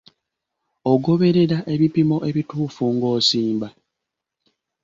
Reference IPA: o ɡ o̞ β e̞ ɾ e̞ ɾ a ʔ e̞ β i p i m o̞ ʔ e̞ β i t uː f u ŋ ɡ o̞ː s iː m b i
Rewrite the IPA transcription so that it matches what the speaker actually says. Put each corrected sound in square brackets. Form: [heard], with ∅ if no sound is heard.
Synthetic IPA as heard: o ɡ o̞ β e̞ ɾ e̞ ɾ a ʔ e̞ β i p i m o̞ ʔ e̞ β i t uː f u ŋ ɡ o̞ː s iː m b [a]